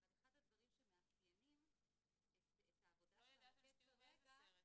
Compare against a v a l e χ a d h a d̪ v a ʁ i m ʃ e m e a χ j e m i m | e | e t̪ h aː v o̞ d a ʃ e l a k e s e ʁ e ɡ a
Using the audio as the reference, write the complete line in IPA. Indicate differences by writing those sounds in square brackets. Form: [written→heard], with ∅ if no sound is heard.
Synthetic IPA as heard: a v a l e χ a d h a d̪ v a ʁ i m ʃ e m e a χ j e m i m | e | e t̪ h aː v o̞ d a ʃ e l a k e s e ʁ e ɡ a